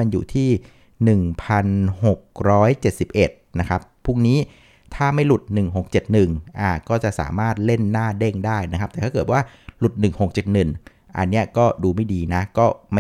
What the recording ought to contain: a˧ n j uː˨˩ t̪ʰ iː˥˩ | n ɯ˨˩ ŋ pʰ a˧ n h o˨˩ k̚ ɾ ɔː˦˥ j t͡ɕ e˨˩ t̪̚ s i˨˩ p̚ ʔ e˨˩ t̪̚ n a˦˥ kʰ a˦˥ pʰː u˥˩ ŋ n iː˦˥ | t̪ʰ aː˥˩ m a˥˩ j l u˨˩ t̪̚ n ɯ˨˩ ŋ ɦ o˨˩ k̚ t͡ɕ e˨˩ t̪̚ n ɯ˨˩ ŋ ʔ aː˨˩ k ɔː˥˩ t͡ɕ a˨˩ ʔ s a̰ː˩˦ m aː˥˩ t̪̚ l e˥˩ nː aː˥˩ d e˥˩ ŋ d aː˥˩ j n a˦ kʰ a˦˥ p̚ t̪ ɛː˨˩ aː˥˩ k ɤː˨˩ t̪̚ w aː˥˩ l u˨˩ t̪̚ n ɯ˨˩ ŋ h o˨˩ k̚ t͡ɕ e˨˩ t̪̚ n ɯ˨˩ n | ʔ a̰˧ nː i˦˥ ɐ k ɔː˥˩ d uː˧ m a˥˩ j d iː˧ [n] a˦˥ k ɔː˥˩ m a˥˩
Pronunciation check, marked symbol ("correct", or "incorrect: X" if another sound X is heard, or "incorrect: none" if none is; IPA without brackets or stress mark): correct